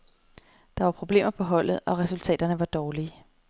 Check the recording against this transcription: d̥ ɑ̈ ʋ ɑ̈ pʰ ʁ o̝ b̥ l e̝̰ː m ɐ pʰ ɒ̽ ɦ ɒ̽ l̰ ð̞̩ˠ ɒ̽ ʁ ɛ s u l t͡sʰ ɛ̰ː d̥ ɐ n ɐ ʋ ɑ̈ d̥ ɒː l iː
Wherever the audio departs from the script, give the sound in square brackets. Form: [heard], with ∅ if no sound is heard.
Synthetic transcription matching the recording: d̥ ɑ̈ ʋ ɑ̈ pʰ ʁ o̝ b̥ l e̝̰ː m ɐ pʰ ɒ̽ ɦ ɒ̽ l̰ ð̞̩ˠ ɒ̽ ʁ ɛ s u l t͡sʰ ɛ̰ː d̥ ɐ n [ə] ʋ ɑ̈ d̥ ɒː l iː

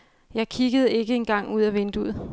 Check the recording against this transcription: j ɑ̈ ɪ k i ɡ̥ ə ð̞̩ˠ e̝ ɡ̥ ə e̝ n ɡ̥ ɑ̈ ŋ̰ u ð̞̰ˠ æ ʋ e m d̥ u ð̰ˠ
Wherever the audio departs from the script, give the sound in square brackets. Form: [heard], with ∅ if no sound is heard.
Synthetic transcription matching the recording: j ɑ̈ ɪ [kʰ] i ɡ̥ ə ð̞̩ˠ e̝ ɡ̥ ə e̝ n ɡ̥ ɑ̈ ŋ̰ u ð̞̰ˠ æ ʋ e [n] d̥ u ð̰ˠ

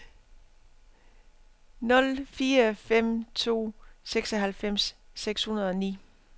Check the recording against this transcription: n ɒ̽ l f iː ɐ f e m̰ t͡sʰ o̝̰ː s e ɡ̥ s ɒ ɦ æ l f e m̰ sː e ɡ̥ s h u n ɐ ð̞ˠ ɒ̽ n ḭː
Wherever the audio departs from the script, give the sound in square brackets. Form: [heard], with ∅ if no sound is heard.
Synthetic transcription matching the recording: n [ɔ̽] l f iː ɐ f e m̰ t͡sʰ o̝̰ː s e ɡ̥ s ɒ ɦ æ l f e m̰ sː e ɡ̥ s h u n ɐ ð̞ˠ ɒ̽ n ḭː

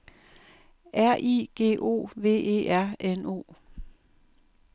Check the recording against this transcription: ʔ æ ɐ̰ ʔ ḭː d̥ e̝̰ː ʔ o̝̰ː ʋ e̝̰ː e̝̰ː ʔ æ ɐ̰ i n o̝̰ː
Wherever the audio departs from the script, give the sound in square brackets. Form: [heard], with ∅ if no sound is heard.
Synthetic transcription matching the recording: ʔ æ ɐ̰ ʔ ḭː [ɡ̥] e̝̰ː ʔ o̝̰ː ʋ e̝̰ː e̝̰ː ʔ æ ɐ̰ [e] n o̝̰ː

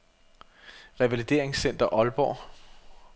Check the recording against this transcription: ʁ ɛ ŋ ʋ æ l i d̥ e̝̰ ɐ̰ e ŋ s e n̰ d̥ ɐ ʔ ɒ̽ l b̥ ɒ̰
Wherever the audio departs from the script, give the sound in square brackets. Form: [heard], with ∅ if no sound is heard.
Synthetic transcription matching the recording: ʁ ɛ [∅] ʋ æ l i d̥ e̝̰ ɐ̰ e ŋ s e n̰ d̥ ɐ ʔ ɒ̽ l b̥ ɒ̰

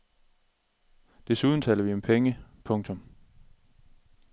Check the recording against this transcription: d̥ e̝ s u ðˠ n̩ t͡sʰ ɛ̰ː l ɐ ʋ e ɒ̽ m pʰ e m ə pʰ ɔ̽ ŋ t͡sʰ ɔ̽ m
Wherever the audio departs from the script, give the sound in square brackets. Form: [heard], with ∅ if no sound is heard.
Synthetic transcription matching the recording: d̥ e̝ s u ðˠ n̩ t͡sʰ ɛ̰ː l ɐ ʋ [i] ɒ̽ m pʰ e [ŋ] ə pʰ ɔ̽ ŋ t͡sʰ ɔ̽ m

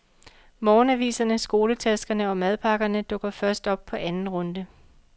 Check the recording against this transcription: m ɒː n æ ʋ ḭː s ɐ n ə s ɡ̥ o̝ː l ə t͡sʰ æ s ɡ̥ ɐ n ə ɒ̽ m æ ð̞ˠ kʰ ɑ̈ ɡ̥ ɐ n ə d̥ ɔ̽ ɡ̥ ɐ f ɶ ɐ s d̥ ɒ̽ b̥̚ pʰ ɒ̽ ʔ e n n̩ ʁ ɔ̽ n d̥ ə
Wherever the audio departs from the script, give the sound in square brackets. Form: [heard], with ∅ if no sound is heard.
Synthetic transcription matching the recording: m ɒː n æ ʋ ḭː s ɐ n ə s ɡ̥ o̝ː l ə t͡sʰ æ s ɡ̥ ɐ n ə ɒ̽ m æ ð̞ˠ [pʰ] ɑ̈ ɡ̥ ɐ n ə d̥ ɔ̽ ɡ̥ ɐ f ɶ ɐ s d̥ ɒ̽ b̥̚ pʰ ɒ̽ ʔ [æ] n n̩ ʁ ɔ̽ n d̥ ə

